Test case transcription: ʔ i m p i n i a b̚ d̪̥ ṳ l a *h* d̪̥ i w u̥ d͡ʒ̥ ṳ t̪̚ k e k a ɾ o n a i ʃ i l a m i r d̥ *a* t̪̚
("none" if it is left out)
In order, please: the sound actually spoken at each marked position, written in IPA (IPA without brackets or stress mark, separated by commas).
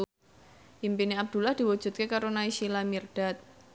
h, a